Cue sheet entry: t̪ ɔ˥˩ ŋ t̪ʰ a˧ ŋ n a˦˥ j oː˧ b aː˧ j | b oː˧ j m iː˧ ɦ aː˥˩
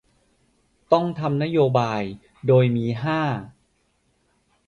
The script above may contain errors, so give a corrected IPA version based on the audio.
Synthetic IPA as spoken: t̪ ɔ˥˩ ŋ t̪ʰ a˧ m n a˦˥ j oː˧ b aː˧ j | d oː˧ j m iː˧ ɦ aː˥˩